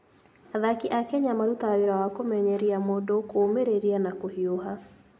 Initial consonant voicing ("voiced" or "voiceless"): voiced